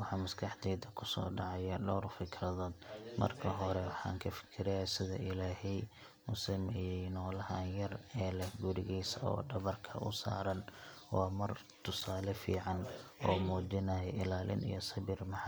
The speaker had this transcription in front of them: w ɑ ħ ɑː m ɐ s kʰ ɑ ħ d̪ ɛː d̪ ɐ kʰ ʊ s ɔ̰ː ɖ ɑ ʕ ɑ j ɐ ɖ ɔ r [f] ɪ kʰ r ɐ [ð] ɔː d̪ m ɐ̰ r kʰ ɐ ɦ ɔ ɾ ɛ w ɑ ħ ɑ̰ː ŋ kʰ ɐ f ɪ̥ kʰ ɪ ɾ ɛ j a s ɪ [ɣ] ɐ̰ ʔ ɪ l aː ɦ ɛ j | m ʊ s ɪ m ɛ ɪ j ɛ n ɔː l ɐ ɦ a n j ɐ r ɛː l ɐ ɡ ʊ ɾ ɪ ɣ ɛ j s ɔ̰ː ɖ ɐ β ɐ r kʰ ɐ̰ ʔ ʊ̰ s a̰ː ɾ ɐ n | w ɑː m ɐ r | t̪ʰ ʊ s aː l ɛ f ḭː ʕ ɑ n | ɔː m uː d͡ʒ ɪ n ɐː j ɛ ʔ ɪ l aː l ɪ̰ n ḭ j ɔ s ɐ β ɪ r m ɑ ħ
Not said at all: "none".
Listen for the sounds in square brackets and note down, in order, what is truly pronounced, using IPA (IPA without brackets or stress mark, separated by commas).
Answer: f, ð, ð